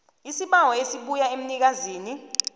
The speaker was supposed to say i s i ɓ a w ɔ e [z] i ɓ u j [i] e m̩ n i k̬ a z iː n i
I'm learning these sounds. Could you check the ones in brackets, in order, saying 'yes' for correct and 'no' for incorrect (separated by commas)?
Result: no, no